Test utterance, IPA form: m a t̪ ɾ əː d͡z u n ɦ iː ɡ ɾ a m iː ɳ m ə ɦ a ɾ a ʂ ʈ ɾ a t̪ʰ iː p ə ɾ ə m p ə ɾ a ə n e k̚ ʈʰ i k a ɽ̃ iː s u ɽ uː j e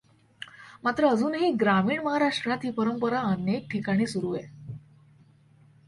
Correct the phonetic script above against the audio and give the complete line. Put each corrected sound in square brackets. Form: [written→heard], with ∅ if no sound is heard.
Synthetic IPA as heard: m a t̪ ɾ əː d͡z [u→uː] n ɦ iː ɡ ɾ a m iː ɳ m ə ɦ a ɾ a ʂ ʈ ɾ a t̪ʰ iː p ə ɾ ə m p ə ɾ a ə n e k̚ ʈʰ i k a ɽ̃ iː s u [ɽ→ɾ] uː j e